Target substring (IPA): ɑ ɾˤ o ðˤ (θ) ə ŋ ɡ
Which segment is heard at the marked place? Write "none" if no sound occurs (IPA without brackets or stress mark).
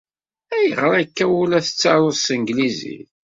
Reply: s